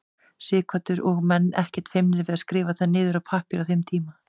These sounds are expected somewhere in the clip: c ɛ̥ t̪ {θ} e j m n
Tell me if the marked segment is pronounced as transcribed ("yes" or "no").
no